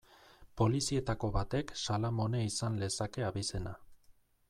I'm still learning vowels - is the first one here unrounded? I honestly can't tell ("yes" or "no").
no